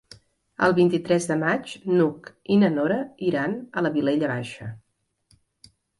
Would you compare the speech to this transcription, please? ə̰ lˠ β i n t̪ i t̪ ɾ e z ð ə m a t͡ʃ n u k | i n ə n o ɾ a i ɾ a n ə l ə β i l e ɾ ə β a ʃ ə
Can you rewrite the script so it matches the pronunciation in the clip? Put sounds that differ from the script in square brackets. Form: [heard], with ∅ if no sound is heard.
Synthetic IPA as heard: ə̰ lˠ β i n t̪ i t̪ ɾ [ɛ] z ð ə m a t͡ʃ n u k | i n ə n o ɾ [ə] i ɾ a n ə l ə β i l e [ʎ] ə β a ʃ ə